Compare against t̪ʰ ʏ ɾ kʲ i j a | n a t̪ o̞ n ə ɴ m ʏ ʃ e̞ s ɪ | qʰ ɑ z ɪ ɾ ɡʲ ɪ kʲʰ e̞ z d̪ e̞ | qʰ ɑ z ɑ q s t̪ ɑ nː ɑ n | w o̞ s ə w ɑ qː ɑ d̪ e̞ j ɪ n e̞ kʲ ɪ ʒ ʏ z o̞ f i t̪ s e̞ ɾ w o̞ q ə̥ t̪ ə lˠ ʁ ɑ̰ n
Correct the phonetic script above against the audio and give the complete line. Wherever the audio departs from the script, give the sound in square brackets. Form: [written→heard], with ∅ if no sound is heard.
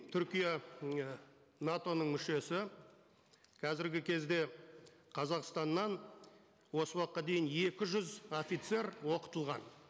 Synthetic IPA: t̪ʰ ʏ ɾ kʲ i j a | n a t̪ o̞ n ə ɴ m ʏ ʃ e̞ s ɪ | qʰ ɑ z ɪ ɾ ɡʲ ɪ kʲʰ e̞ z d̪ e̞ | qʰ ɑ z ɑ q s t̪ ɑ nː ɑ n | w o̞ s ə w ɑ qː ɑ d̪ e̞ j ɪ n e̞ kʲ ɪ ʒ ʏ z o̞ f i t̪ s e̞ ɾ w o̞ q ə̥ t̪ ə lˠ ʁ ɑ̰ n